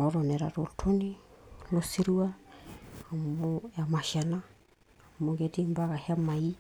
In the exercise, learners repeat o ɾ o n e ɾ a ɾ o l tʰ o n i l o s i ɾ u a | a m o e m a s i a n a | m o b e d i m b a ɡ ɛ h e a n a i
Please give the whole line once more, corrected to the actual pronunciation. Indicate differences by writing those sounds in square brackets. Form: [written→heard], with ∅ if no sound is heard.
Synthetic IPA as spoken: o ɾ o n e ɾ a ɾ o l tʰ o n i l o s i ɾ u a | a m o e m a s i a n a | m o [b→ɡ] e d i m b a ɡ [ɛ→a] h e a [n→m] a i